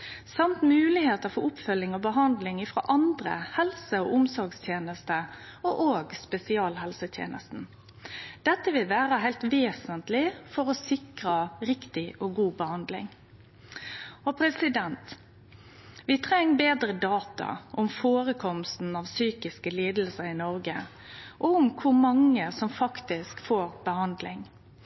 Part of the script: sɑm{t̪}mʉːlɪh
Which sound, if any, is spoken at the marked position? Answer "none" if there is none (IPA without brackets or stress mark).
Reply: t̪